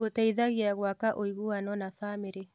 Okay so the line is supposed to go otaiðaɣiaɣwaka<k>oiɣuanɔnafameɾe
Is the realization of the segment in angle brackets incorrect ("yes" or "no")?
yes